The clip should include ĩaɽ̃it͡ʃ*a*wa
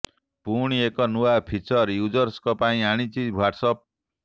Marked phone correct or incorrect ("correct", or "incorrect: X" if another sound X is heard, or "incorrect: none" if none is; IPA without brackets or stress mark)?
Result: incorrect: i